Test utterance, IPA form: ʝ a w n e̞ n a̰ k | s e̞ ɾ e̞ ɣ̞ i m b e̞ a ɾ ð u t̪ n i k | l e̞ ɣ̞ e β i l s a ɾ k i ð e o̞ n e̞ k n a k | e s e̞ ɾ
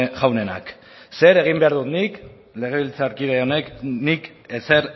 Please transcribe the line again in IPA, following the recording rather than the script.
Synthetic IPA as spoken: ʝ a w n e̞ n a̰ k | s e̞ ɾ e̞ ɣ̞ i m b e̞ a ɾ ð u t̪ n i k | l e̞ ɣ̞ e β i l t͡s a ɾ k i ð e o̞ n e̞ k n i k | e s e̞ ɾ